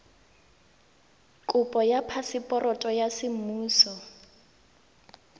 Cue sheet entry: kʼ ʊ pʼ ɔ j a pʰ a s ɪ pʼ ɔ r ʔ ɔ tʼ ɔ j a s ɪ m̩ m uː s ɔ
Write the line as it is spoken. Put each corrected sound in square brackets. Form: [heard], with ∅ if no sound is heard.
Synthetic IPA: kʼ ʊ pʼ ɔ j a pʰ a s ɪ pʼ ɔ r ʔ ɔ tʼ ɔ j a s ɪ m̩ m uː s ɔ